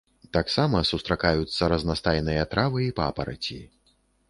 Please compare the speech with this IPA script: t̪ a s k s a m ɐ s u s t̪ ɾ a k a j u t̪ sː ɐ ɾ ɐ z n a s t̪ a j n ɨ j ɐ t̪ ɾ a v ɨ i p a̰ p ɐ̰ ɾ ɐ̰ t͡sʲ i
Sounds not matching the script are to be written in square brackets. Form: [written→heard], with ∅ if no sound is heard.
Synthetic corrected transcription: t̪ a [s→∅] k s a m ɐ s u s t̪ ɾ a k a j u t̪ sː ɐ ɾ ɐ z n a s t̪ a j n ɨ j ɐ t̪ ɾ a v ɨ i p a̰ p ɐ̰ ɾ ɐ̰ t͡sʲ i

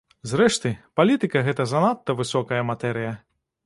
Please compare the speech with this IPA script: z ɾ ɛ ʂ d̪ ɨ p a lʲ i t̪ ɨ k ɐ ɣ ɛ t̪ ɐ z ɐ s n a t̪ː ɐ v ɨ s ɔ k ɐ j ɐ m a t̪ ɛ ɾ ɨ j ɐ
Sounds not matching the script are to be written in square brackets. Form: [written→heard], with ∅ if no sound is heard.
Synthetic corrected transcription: z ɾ ɛ ʂ [d̪→t̪] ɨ p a lʲ i t̪ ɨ k ɐ ɣ ɛ t̪ ɐ z ɐ [s→∅] n a t̪ː ɐ v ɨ s ɔ k ɐ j ɐ m a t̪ ɛ ɾ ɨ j ɐ

